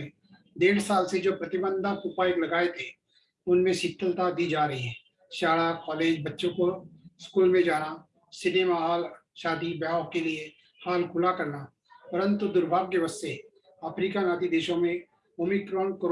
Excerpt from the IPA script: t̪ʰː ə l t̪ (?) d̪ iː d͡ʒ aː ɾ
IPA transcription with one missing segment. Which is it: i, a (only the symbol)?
a